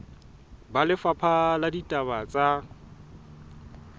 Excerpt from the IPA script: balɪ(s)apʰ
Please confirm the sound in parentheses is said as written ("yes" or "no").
no